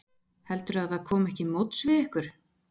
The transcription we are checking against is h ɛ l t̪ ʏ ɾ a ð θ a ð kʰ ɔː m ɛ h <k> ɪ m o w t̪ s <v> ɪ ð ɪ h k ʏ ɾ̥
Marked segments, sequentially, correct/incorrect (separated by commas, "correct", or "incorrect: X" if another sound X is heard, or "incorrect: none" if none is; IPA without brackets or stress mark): incorrect: c, correct